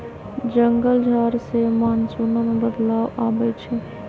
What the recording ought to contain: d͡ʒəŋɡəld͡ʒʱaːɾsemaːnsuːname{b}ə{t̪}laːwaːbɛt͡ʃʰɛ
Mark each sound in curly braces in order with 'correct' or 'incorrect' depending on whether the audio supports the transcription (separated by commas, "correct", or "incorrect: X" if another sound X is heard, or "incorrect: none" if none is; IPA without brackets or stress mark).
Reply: correct, incorrect: d̪